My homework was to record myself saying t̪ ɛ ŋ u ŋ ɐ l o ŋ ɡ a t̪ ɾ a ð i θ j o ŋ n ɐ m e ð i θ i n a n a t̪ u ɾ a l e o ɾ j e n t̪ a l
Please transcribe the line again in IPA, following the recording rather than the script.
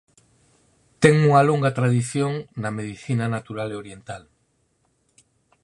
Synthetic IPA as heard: t̪ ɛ ŋ u ŋ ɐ l o ŋ ɡ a t̪ ɾ a ð i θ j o ŋ n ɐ m e ð i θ i n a n a t̪ u ɾ a l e o ɾ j e n t̪ a l